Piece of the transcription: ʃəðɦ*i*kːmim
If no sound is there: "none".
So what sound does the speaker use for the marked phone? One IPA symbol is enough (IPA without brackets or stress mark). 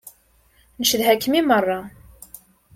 æ